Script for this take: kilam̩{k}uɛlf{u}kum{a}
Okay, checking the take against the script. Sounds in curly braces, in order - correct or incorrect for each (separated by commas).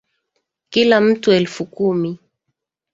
incorrect, correct, incorrect